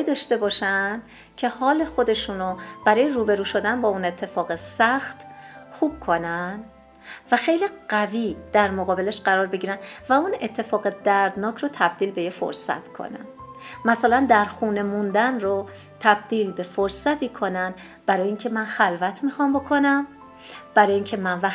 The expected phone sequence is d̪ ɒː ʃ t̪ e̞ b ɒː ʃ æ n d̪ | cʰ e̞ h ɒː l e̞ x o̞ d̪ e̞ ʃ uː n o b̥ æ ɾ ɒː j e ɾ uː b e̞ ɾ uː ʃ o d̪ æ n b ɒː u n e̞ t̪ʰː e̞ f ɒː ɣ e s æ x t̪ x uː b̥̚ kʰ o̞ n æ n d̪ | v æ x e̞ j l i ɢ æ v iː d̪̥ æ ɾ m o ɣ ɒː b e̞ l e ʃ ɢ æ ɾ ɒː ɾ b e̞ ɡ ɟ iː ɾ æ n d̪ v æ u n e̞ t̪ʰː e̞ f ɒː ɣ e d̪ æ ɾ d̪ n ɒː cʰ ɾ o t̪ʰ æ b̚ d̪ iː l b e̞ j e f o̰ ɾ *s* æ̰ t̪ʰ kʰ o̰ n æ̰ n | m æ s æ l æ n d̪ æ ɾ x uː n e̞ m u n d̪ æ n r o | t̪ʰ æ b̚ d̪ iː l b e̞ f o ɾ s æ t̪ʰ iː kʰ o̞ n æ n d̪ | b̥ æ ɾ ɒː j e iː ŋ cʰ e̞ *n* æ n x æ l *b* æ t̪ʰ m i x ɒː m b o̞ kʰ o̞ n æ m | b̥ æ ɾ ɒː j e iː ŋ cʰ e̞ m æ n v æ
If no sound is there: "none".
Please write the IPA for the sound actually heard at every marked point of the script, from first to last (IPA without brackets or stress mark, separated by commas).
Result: s, m, v